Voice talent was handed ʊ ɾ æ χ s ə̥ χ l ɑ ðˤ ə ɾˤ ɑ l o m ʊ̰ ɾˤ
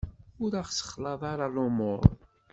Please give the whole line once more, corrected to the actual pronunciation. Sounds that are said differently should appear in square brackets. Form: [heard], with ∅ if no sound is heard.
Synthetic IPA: ʊ ɾ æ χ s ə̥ χ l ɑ ðˤ [ɑ] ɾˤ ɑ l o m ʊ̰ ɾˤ